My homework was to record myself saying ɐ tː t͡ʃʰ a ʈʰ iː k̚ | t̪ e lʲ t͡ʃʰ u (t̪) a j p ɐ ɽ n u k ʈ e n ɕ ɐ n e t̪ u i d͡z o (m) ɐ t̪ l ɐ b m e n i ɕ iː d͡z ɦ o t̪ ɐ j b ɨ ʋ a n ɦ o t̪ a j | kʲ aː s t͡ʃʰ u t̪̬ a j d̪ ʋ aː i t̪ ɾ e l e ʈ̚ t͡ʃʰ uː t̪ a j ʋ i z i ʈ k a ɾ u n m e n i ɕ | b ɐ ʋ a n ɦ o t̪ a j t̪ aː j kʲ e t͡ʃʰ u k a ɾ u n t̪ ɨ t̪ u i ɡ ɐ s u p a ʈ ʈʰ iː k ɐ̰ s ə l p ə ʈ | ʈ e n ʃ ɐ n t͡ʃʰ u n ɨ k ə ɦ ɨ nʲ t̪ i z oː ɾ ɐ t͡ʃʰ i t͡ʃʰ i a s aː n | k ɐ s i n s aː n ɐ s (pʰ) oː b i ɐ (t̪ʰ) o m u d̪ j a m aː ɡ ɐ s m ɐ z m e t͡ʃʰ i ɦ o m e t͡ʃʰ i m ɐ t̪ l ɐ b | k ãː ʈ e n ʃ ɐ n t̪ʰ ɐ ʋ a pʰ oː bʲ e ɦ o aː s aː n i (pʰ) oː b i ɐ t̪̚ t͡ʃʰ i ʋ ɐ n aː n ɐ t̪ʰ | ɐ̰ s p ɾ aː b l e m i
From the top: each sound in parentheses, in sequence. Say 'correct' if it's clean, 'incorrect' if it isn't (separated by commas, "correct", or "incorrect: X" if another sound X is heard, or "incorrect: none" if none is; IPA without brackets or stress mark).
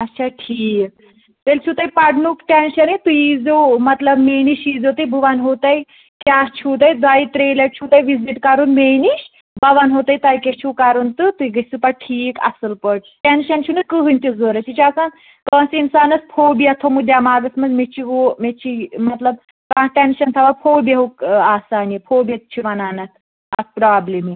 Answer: correct, correct, correct, correct, correct